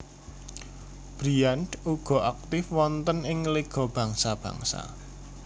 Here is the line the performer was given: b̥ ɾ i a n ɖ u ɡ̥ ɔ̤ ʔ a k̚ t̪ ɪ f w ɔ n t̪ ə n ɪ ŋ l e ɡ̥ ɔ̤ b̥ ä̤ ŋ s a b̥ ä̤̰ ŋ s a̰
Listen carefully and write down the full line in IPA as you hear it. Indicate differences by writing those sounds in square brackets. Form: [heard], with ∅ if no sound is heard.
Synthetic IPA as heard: b̥ ɾ i a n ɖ u ɡ̥ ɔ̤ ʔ a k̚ t̪ ɪ f w ɔ n t̪ ə n ɪ ŋ l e ɡ̥ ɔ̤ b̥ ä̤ ŋ s a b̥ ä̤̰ ŋ s a̰